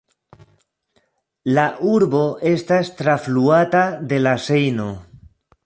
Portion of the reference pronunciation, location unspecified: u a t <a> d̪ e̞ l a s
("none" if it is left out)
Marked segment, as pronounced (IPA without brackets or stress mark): a